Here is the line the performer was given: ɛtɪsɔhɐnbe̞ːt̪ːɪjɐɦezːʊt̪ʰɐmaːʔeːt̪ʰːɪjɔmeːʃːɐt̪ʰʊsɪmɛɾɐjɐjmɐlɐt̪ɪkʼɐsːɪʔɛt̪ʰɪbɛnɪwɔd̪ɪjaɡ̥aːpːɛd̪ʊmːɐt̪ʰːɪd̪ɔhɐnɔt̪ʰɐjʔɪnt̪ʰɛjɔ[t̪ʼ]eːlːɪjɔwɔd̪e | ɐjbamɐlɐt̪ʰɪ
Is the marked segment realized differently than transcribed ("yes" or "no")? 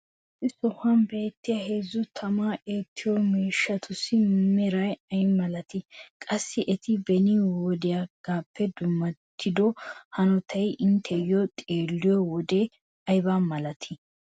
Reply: no